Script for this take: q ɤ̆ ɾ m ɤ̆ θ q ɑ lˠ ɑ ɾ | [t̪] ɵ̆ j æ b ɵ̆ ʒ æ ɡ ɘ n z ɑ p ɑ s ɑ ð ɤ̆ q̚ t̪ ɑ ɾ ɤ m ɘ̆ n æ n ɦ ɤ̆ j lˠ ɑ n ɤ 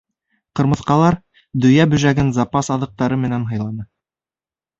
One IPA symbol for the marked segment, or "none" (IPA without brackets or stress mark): d̪